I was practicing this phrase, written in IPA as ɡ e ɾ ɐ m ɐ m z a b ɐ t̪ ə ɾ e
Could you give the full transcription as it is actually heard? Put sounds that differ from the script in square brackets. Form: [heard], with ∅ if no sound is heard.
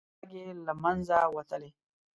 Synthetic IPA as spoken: ɡ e [l] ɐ m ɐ [n] z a [w] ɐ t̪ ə [l] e

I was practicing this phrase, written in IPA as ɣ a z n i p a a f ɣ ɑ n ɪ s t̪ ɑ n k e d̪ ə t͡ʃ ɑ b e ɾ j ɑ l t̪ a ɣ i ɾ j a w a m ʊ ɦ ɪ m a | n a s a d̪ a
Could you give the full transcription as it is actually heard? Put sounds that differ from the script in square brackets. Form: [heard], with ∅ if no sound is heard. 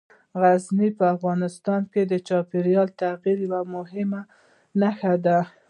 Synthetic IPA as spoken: ɣ a z n i p [ə] a f ɣ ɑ n ɪ s t̪ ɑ n k e d̪ ə t͡ʃ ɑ [p] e ɾ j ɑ l t̪ a ɣ i ɾ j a w a m ʊ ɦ ɪ m a | n a [x] a d̪ a

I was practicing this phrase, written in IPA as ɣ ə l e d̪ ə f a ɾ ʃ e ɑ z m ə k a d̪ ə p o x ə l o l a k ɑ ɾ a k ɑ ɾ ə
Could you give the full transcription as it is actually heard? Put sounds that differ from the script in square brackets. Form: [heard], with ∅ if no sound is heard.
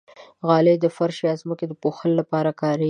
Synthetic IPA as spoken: ɣ [ɑ] l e d̪ ə f a ɾ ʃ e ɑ z m ə k [e] d̪ ə p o x ə l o l a [p] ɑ ɾ a k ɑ ɾ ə

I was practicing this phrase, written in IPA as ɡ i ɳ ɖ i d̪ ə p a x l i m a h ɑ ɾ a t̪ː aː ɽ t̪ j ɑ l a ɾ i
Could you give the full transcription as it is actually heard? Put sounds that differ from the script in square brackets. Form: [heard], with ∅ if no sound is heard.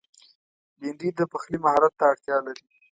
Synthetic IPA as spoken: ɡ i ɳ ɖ i d̪ ə p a x l i m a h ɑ ɾ a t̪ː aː ɽ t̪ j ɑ l a ɾ i

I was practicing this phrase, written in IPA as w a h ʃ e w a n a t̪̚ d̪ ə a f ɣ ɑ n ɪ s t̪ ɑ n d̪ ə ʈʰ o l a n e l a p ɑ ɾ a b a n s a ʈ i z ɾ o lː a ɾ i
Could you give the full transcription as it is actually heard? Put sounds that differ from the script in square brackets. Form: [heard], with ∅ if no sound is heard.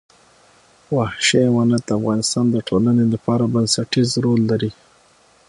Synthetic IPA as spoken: w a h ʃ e w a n a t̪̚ d̪ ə a f ɣ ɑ n ɪ s t̪ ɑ n d̪ ə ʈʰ o l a n e l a p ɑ ɾ a b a n s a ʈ i z ɾ o lː a ɾ i

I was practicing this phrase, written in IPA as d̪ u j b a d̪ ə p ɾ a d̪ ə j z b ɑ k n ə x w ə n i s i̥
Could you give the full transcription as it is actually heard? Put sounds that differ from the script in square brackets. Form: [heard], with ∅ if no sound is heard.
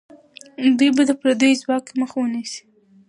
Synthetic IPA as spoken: d̪ u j b a d̪ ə p ɾ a d̪ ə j z [w] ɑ k [m] ə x w ə n i s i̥

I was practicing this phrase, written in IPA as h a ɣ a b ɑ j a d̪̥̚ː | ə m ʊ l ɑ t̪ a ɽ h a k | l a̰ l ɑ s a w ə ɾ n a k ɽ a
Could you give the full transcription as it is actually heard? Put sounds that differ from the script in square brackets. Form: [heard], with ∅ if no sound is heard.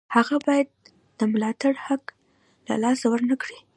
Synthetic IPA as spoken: h a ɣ a b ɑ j a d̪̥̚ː | ə m ʊ l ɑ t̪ a ɽ h a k | l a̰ l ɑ s a w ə ɾ n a k ɽ [i]

